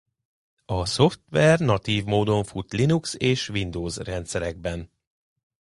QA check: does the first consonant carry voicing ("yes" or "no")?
no